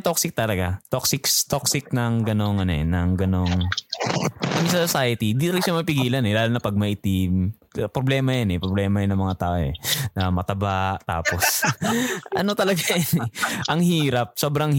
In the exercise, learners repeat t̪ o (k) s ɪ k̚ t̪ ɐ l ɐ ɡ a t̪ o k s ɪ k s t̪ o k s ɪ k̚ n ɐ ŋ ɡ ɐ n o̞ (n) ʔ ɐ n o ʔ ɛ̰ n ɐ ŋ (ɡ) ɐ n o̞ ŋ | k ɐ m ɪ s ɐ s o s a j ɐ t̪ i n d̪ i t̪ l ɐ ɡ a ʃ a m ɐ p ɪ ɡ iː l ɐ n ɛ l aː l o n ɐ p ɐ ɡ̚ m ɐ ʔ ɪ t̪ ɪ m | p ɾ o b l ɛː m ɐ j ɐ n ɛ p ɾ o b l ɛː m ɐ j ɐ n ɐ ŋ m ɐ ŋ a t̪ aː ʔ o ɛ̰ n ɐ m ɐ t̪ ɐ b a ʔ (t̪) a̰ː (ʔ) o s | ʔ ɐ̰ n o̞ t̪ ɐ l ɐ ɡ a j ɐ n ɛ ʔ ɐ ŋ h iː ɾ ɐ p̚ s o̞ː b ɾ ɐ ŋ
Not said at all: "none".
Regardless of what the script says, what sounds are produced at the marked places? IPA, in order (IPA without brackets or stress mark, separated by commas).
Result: k, ŋ, ɡ, t̪, p